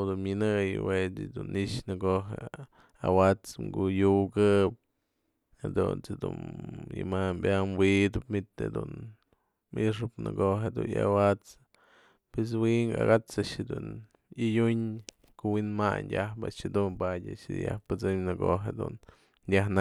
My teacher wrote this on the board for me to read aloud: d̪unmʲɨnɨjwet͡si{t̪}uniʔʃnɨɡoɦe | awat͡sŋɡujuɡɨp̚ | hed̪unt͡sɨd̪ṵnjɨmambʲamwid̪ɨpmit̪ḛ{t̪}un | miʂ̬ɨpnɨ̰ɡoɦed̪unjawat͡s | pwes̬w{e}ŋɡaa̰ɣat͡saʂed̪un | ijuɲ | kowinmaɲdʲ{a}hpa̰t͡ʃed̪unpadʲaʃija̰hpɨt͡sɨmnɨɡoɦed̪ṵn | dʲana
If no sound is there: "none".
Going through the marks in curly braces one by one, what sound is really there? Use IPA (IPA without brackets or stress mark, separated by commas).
d̪, d̪, i, a